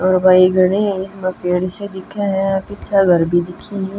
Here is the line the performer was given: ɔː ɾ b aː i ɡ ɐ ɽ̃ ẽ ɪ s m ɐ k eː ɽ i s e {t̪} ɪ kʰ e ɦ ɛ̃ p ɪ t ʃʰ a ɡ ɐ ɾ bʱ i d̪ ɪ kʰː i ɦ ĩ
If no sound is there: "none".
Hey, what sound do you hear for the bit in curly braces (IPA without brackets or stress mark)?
d̪